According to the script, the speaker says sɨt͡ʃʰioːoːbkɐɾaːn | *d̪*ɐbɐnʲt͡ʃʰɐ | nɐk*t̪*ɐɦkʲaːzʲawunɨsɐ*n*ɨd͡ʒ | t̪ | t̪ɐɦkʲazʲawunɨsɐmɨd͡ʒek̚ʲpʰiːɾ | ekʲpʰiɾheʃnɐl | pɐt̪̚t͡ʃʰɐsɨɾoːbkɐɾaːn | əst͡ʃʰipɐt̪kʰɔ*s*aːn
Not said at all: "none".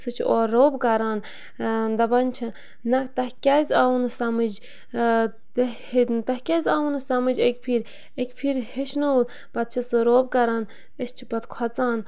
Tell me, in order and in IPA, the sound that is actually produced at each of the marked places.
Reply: d̪, t̪, m, t͡s

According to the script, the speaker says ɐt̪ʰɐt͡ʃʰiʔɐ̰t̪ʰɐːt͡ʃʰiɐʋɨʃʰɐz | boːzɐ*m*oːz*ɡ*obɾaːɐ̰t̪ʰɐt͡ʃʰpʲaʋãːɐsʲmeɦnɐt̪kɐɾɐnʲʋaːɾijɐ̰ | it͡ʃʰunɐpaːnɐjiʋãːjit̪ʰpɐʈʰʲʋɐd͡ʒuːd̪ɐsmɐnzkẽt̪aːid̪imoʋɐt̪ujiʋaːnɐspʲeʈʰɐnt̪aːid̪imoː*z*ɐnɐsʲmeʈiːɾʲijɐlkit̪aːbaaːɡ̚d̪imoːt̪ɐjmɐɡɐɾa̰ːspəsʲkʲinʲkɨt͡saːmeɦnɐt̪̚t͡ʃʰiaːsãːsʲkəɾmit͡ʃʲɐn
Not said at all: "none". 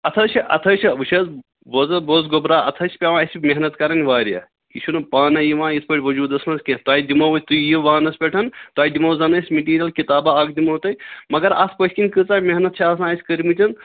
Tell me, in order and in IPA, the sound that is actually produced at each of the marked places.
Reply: b, ɡ, z

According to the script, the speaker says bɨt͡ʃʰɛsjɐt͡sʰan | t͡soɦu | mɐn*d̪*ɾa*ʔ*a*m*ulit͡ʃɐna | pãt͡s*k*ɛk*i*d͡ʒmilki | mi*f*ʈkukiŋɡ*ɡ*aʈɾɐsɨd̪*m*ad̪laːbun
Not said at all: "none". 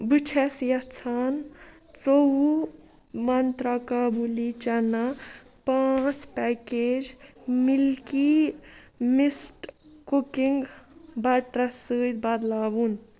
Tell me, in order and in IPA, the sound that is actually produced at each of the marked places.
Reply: t̪, k, b, p, e, s, b, b

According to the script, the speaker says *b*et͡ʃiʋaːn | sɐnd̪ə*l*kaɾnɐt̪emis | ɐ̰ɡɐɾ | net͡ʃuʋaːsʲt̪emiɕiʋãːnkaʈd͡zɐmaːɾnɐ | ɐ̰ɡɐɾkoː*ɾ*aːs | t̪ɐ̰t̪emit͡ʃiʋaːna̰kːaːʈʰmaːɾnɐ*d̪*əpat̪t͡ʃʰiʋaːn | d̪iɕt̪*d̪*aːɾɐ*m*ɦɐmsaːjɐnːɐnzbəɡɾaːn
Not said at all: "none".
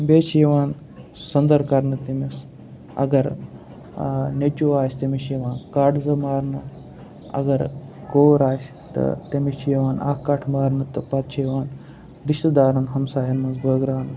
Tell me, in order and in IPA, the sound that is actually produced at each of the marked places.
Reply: b, ɾ, ɾ, t̪, d̪, n

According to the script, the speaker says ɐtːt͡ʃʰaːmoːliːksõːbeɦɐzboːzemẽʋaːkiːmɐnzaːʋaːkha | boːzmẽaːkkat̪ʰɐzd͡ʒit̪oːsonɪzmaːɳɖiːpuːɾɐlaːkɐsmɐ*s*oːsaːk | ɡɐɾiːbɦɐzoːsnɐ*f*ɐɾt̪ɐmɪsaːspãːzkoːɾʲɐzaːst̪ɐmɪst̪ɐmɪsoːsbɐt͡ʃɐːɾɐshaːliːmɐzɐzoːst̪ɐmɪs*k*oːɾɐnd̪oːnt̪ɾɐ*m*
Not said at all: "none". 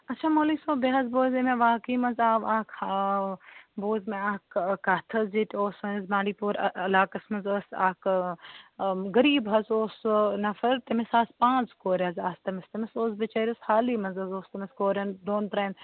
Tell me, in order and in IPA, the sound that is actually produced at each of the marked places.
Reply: z, f, k, n

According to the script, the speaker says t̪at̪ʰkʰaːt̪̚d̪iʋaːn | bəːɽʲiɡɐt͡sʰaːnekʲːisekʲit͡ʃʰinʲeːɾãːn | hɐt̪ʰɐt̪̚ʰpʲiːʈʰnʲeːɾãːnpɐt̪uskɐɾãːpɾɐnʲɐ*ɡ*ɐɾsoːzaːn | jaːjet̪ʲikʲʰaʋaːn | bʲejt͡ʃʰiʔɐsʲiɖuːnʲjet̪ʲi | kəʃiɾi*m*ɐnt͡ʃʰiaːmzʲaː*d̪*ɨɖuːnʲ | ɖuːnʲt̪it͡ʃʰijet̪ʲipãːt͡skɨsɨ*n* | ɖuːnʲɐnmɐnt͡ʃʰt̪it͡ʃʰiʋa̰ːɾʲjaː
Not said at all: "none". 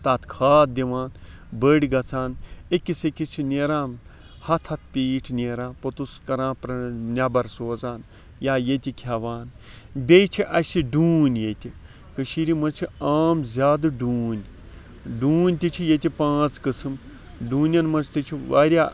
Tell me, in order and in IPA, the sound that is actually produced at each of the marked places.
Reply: b, m, d̪, m

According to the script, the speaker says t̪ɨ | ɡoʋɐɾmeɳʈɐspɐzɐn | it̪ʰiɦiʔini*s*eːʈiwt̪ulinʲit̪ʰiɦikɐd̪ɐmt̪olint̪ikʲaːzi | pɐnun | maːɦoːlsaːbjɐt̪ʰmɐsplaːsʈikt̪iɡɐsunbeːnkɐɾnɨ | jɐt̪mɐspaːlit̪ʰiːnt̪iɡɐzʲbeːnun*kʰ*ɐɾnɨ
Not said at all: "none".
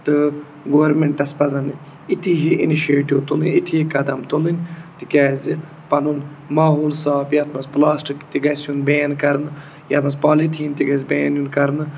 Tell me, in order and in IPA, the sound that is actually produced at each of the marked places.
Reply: ʃ, k

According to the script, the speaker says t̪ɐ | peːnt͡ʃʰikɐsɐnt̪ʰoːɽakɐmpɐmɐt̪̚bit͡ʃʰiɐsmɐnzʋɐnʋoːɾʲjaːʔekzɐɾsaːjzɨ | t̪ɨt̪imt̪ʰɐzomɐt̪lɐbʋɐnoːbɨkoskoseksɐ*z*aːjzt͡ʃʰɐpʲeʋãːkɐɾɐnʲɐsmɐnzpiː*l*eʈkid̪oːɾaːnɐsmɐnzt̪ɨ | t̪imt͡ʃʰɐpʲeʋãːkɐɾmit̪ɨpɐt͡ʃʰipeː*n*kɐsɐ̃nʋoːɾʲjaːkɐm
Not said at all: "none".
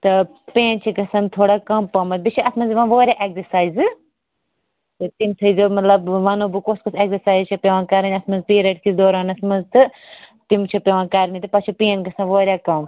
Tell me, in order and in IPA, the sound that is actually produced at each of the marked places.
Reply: s, ɾ, n

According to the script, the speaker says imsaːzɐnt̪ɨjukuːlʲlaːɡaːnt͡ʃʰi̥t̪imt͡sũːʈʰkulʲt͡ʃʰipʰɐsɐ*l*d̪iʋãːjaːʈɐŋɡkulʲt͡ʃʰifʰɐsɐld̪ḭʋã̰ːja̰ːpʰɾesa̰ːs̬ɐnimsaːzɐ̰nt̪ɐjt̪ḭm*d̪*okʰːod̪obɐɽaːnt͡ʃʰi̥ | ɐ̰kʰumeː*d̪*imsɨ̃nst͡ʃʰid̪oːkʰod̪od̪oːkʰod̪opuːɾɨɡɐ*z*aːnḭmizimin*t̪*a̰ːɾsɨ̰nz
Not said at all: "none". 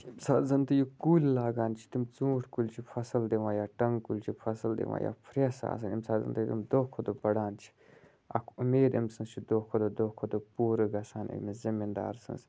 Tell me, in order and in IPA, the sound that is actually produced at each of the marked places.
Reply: l, d̪, d̪, s, d̪

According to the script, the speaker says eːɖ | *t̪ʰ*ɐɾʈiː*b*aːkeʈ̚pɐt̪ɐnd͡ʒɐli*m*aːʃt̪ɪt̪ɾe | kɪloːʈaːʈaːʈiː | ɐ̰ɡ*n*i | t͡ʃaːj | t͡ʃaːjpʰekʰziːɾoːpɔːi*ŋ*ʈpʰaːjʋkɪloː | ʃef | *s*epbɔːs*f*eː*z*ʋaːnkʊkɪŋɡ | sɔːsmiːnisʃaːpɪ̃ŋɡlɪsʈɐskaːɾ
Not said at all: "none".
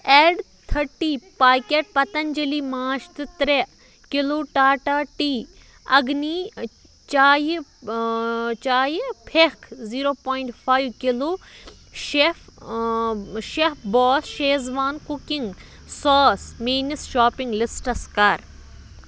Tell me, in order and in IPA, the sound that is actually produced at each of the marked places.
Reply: t̪ʰ, p, m, n, ɳ, ʃ, ʃ, z

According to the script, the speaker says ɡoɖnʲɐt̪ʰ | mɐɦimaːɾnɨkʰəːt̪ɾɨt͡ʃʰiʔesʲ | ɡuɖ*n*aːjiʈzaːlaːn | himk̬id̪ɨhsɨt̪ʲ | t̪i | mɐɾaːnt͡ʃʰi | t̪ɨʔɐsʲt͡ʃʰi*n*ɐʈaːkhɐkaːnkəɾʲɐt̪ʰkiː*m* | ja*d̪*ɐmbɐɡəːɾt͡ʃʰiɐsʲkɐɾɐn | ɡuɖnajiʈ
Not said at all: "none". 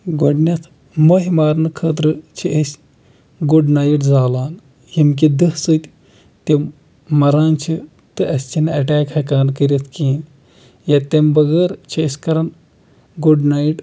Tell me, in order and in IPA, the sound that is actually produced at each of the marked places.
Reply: n, n, n, t̪

